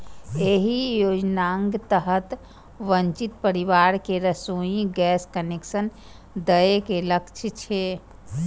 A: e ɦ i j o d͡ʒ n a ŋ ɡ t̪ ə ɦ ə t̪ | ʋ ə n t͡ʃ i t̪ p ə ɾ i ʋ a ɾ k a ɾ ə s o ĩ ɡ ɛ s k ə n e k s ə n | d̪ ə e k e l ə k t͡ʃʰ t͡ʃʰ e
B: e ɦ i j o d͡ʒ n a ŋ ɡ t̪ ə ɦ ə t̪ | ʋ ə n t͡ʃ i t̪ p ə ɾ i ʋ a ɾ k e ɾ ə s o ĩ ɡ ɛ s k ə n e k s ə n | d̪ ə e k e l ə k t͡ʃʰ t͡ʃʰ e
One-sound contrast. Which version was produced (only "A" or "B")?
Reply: B